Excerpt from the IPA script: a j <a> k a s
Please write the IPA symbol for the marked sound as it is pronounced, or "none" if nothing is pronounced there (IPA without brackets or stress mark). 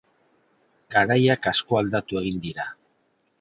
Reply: a